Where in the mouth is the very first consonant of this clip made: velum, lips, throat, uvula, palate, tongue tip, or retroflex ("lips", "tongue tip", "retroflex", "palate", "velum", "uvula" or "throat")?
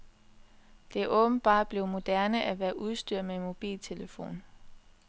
tongue tip